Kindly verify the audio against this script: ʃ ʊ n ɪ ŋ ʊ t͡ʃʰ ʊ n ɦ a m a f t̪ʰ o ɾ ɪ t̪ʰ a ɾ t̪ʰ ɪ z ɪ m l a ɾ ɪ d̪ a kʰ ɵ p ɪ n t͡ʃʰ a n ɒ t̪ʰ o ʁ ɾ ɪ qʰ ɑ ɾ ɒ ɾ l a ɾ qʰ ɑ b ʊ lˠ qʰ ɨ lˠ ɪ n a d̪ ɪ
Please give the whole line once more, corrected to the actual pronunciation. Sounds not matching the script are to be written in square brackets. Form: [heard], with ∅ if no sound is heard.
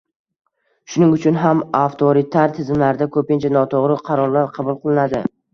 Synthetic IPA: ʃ ʊ n ɪ ŋ ʊ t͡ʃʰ ʊ n ɦ a m a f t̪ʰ o ɾ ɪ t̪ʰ a ɾ t̪ʰ ɪ z ɪ m l a ɾ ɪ d̪ a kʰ ɵ p ɪ n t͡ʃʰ a n ɒ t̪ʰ o ʁ ɾ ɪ qʰ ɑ ɾ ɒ ɾ l a ɾ qʰ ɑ b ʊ lˠ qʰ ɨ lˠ ɪ n a d̪ ɪ